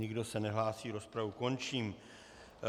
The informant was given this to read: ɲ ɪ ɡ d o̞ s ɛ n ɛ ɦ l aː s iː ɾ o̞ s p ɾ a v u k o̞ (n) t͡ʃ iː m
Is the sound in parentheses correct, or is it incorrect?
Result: correct